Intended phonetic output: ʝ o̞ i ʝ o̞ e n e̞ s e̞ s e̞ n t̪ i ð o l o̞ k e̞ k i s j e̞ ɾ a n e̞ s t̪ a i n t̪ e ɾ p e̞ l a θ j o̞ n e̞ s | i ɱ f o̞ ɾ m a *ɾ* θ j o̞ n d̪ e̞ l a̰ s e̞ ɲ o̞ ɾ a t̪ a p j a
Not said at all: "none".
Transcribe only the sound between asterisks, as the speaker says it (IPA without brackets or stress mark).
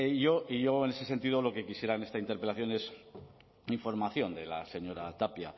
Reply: none